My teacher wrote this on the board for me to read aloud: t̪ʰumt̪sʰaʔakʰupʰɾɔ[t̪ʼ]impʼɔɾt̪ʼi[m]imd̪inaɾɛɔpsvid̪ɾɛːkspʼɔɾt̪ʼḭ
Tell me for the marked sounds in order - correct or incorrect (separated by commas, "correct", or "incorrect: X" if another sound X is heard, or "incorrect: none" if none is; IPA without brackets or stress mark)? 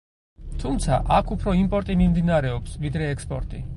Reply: incorrect: none, correct